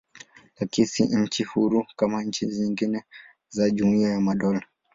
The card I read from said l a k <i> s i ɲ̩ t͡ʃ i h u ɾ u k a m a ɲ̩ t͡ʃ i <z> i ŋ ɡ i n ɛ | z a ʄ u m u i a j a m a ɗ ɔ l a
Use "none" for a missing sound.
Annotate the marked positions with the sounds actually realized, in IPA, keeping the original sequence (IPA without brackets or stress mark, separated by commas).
i, z